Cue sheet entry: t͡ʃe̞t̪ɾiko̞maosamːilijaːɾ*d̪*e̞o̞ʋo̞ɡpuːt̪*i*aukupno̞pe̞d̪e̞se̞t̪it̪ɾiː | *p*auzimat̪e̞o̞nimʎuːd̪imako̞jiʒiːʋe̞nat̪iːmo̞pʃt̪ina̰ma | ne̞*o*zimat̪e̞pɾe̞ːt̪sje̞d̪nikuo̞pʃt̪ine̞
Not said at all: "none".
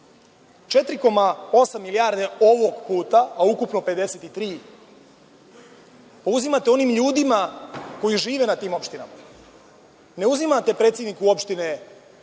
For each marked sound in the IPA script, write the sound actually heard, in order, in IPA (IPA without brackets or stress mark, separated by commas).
d̪, a, p, u